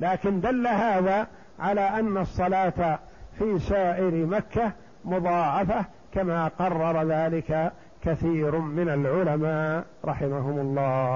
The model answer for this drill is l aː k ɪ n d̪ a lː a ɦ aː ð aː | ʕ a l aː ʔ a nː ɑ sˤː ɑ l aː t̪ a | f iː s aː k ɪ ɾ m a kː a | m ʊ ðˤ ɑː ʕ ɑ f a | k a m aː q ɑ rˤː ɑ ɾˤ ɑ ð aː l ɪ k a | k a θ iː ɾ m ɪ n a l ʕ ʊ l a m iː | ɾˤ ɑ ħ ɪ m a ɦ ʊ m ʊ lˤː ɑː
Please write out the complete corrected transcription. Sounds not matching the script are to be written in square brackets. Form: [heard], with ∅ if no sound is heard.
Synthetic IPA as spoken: l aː k ɪ n d̪ a lː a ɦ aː ð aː | ʕ a l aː ʔ a nː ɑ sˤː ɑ l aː t̪ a | f iː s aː [ʔ] ɪ ɾ m a kː a | m ʊ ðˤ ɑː ʕ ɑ f a | k a m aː q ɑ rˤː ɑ ɾˤ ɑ ð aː l ɪ k a | k a θ iː ɾ m ɪ n a l ʕ ʊ l a m [aː] | ɾˤ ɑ ħ ɪ m a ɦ ʊ m ʊ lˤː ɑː